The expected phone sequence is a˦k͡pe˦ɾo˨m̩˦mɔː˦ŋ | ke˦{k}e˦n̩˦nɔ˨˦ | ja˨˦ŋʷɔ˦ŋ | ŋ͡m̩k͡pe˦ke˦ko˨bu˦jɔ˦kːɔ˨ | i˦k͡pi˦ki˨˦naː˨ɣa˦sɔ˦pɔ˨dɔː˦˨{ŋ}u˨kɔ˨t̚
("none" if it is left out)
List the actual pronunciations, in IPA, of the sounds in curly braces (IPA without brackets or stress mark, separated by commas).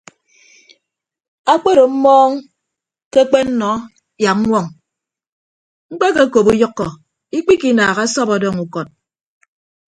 k͡p, ŋ